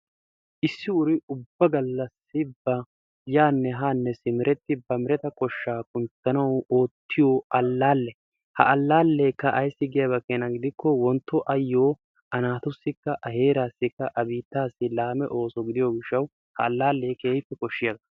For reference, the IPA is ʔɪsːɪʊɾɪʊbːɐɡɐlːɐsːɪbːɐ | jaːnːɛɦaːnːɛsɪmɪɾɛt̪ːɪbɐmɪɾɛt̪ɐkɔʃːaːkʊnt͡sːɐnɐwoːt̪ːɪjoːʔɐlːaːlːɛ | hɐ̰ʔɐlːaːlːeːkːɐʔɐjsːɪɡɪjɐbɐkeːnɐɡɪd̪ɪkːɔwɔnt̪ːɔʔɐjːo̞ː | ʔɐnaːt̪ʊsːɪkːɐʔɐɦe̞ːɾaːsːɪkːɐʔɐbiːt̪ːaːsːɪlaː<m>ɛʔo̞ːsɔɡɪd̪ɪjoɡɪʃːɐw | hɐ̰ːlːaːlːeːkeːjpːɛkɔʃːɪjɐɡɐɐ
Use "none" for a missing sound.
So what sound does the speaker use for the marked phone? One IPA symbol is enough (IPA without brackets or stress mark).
m